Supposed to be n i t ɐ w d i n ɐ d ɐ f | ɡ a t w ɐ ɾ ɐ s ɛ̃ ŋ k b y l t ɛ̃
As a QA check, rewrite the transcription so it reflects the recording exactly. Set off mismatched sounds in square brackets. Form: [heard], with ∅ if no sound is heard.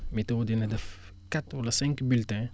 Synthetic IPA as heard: [m] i t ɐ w d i n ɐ d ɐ f | [k] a t w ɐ [l] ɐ s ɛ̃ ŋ k b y l t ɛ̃